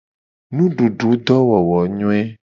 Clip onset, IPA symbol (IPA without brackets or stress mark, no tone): n